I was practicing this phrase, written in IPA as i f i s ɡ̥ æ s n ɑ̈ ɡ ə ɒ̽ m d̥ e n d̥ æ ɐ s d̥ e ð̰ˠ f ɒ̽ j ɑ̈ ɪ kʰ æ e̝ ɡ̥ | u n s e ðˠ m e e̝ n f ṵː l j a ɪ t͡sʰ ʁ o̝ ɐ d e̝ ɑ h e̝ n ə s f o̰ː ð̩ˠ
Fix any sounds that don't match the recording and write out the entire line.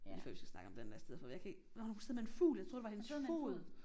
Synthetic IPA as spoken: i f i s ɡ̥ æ s n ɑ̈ ɡ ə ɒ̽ m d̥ e n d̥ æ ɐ s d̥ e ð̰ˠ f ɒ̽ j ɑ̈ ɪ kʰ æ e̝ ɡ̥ | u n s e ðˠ m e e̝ n f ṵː l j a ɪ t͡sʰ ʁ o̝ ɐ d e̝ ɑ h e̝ n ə s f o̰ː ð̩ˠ